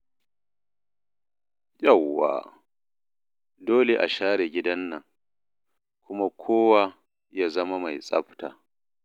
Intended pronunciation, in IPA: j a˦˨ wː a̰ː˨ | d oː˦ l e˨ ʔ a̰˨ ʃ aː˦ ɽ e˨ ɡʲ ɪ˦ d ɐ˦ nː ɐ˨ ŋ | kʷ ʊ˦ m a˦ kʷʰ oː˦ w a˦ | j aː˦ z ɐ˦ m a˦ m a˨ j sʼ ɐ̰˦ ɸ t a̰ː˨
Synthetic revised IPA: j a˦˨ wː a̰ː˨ | d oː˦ l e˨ ʔ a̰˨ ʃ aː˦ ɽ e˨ ɡʲ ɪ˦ d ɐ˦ nː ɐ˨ ŋ | kʷ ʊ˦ m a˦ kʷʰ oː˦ w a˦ | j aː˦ z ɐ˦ m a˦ m a˨ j sʼ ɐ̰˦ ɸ t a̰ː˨